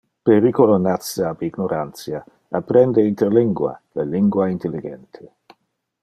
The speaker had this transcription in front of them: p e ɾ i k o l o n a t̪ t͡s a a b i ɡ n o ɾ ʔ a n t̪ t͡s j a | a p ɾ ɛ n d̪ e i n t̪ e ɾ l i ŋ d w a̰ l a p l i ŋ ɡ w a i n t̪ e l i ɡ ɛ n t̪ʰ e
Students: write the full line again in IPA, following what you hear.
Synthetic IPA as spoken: p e ɾ i k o l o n a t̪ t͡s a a b i ɡ n o ɾ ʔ a n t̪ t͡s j a | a p ɾ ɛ n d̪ e i n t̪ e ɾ l i ŋ ɡ w a̰ l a l i ŋ ɡ w a i n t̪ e l i ɡ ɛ n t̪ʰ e